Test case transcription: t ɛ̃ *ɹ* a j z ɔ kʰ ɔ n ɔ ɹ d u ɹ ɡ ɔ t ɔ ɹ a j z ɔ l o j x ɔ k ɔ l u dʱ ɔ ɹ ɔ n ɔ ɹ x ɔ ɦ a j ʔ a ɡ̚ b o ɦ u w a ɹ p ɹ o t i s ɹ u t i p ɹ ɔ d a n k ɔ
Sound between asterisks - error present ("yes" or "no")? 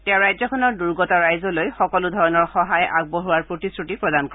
no